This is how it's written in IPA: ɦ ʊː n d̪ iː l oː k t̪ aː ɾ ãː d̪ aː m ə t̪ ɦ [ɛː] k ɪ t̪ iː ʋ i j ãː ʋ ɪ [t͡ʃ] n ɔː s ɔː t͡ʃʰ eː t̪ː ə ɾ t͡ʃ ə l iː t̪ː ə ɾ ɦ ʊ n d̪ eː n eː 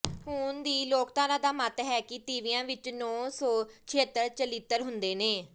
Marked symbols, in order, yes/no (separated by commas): yes, yes